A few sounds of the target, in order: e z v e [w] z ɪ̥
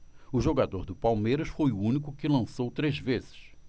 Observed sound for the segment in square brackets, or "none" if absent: none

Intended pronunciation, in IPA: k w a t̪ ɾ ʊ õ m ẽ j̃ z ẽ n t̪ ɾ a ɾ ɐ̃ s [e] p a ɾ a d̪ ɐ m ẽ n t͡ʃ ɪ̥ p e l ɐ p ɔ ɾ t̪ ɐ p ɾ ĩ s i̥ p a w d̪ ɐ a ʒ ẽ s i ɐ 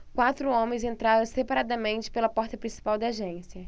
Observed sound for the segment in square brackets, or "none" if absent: e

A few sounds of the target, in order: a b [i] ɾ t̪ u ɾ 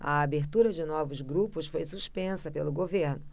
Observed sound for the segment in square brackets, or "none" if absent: e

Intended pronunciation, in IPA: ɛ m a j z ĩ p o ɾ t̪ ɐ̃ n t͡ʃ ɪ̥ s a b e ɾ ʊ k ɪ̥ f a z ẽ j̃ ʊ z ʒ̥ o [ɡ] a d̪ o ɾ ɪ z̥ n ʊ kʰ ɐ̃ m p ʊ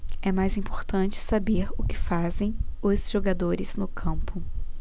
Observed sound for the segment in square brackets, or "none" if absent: ɡ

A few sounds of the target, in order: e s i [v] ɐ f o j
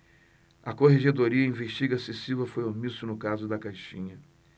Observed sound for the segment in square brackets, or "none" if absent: v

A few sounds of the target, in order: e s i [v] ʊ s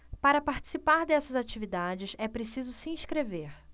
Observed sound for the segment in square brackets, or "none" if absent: z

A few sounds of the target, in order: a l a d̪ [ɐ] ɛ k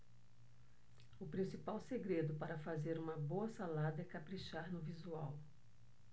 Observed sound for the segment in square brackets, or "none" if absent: ɐ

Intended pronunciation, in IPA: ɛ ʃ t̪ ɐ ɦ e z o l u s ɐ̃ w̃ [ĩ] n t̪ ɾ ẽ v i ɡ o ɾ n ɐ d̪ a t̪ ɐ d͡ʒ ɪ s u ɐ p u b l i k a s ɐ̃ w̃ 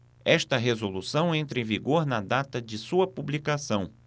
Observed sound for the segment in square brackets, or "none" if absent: ẽ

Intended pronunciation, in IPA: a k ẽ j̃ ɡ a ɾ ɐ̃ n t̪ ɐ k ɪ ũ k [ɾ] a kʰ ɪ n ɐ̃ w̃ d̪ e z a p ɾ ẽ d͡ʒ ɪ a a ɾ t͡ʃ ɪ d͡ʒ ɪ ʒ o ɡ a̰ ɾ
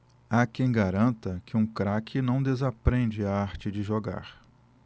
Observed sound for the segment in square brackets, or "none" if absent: ɾ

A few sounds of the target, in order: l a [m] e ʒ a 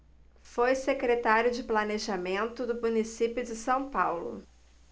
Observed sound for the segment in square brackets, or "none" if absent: n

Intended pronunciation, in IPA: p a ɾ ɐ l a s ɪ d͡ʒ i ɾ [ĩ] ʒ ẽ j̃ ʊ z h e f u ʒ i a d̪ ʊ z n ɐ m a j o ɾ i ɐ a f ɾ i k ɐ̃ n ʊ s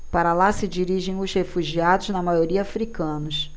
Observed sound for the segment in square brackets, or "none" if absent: i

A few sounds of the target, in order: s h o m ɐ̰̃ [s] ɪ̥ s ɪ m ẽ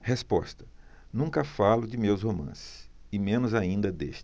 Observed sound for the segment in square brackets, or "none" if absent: s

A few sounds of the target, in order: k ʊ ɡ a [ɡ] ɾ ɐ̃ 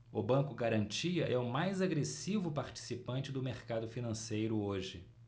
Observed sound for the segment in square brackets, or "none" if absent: none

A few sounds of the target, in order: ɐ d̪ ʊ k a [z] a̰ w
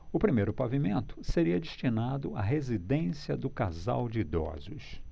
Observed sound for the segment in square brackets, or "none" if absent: z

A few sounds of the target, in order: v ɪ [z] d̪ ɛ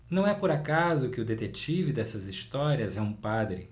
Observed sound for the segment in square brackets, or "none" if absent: none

